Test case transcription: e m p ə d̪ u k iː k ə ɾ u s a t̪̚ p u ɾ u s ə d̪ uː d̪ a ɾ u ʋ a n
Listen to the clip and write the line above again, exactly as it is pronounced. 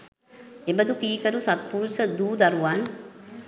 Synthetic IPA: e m b ə d̪ u k iː k ə ɾ u s a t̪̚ p u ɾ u s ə d̪ uː d̪ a ɾ u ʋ a n